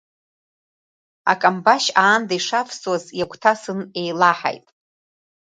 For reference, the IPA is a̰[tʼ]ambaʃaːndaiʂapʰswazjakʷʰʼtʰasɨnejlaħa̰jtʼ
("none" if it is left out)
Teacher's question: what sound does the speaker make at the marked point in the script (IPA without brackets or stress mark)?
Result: kʼ